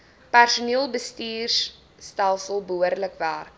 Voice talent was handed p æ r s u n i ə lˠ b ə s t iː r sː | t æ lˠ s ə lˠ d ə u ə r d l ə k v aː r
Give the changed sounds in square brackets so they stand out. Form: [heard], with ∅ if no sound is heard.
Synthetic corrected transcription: p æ r s u n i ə lˠ b ə s t iː r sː | t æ lˠ s ə lˠ [b] ə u ə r d l ə k v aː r